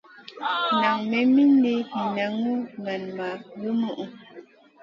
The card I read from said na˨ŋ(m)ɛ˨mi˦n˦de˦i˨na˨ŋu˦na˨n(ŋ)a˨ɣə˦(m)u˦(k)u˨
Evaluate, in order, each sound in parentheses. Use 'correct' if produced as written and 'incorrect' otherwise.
correct, incorrect: m, correct, incorrect: ʔ

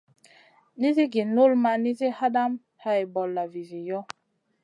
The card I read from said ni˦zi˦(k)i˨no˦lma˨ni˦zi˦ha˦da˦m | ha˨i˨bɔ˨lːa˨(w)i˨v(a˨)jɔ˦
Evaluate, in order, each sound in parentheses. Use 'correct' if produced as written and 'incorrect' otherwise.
incorrect: ɡ, incorrect: v, incorrect: i˨

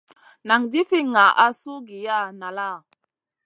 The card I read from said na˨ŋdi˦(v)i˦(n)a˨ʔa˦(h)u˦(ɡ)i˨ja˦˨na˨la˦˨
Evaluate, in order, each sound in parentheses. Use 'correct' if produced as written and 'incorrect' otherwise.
incorrect: f, incorrect: ŋ, incorrect: s, correct

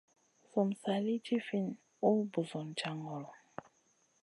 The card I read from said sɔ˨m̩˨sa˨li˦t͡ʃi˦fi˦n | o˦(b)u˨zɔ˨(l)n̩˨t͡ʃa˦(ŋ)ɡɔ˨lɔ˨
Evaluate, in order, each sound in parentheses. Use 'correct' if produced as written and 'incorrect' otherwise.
correct, incorrect: none, correct

